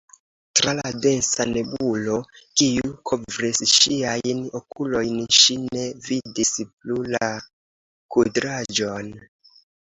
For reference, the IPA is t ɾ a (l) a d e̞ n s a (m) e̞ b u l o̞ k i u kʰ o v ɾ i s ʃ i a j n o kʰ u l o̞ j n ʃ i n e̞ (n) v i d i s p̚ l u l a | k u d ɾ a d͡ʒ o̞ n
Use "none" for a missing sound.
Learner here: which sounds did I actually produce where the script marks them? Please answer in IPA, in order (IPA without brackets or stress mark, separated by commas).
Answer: l, n, none